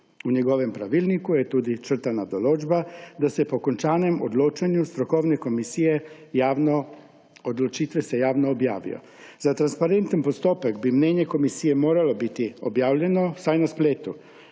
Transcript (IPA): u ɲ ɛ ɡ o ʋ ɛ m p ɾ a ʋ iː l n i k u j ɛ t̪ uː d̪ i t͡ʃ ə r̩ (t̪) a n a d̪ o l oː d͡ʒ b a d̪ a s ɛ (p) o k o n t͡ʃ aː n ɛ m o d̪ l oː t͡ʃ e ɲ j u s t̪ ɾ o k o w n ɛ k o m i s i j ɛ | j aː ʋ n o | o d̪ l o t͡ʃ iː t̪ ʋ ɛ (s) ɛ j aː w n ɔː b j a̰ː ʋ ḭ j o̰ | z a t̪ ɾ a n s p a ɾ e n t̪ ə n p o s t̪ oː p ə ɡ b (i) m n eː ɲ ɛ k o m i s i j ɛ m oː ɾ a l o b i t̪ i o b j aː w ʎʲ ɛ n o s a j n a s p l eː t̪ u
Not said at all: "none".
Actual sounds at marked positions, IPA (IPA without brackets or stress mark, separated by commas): t̪, p, s, i